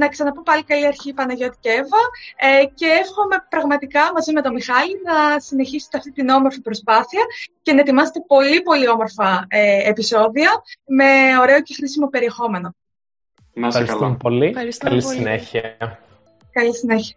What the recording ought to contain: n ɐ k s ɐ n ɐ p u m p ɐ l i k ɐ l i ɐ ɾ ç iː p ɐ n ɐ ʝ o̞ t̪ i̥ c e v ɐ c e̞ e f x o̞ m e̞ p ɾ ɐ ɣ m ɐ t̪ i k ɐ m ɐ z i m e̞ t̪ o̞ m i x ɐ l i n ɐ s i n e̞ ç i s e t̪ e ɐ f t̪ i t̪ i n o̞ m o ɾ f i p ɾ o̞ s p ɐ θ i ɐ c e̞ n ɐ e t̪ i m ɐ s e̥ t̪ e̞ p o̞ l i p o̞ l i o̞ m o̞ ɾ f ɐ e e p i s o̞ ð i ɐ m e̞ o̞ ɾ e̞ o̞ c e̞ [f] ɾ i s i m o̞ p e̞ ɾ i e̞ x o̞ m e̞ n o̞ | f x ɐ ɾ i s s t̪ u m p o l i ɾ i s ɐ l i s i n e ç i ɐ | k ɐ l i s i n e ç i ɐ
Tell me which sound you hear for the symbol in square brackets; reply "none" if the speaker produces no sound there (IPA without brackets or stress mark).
x